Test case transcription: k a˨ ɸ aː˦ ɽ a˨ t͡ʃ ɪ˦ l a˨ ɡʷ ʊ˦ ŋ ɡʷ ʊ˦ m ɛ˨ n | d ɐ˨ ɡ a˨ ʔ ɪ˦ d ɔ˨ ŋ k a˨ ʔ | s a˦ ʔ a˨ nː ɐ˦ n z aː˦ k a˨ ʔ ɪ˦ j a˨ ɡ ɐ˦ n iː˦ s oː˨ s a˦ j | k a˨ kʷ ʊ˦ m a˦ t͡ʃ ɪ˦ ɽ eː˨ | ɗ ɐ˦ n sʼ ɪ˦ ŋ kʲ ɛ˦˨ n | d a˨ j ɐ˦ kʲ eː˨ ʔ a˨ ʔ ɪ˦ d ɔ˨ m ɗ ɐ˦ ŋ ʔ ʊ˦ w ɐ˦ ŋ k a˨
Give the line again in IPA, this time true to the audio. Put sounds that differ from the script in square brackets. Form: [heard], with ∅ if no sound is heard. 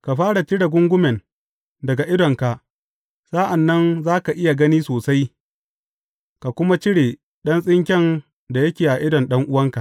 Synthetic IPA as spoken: k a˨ ɸ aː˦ ɽ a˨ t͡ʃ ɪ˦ [ɽ] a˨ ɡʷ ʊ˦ ŋ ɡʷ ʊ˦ m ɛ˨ n | d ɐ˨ ɡ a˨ ʔ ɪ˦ d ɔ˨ ŋ k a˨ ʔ | s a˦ ʔ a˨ nː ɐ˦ n z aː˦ k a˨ ʔ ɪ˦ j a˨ ɡ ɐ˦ n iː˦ s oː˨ s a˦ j | k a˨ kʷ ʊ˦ m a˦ t͡ʃ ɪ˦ ɽ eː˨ | ɗ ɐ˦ n sʼ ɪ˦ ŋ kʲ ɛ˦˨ n | d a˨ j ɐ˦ kʲ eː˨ ʔ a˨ ʔ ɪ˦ d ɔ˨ [n] ɗ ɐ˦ ŋ ʔ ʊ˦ w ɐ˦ ŋ k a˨

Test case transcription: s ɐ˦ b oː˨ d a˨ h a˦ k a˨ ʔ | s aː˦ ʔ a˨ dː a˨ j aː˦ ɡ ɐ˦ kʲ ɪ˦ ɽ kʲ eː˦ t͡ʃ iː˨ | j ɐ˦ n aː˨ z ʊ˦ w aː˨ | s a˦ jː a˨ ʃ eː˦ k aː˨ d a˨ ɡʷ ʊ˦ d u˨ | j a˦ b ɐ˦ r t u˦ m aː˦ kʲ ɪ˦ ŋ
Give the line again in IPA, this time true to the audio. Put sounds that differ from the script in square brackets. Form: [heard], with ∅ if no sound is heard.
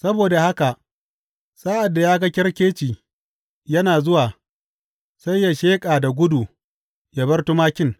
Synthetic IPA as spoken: s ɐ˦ b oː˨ d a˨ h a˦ k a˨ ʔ | s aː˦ ʔ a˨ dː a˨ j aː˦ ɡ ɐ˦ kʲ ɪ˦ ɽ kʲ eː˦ t͡ʃ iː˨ | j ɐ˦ n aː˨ z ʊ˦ w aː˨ | s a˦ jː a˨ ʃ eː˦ [kʼ] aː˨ d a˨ ɡʷ ʊ˦ d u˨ | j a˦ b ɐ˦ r t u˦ m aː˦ kʲ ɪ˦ ŋ

